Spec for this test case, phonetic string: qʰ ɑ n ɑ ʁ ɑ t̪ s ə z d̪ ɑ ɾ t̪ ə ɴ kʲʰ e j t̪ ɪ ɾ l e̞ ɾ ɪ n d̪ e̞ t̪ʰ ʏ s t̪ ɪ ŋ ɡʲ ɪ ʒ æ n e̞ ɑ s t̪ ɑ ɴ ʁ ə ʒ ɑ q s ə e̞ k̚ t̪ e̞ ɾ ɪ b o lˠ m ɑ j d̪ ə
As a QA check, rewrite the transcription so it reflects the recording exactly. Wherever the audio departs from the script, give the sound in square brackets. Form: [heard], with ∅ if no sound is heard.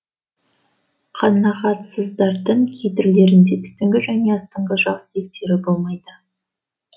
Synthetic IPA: qʰ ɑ n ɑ ʁ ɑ t̪ s ə z d̪ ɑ ɾ [d̪] ə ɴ kʲʰ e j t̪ ɪ ɾ l e̞ ɾ ɪ n d̪ e̞ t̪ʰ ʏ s t̪ ɪ ŋ ɡʲ ɪ ʒ æ n e̞ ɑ s t̪ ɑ ɴ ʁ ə ʒ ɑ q s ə e̞ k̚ t̪ e̞ ɾ ɪ b o lˠ m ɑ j d̪ ə